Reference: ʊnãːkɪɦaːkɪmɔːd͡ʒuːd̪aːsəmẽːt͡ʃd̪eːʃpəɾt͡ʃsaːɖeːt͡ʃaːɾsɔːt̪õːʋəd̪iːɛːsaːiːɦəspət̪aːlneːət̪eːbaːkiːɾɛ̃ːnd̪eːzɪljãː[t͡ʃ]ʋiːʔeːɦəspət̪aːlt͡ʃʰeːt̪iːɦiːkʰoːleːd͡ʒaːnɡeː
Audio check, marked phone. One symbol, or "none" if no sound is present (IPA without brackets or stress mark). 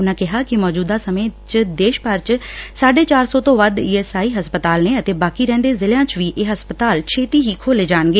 t͡ʃ